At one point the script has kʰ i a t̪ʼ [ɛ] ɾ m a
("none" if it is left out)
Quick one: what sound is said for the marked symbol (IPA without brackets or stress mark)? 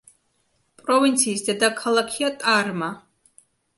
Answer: a